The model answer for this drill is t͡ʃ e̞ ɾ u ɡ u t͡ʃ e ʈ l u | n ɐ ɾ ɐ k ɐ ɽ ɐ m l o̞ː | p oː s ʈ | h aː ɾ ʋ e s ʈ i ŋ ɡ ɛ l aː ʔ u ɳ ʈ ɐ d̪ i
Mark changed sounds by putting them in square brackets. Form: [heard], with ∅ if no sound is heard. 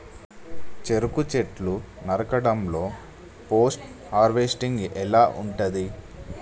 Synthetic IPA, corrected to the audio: t͡ʃ e̞ ɾ u [k] u t͡ʃ e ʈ l u | n ɐ ɾ ɐ k ɐ ɽ ɐ m l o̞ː | p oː s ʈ | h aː ɾ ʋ e s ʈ i ŋ ɡ ɛ l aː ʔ u ɳ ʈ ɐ d̪ i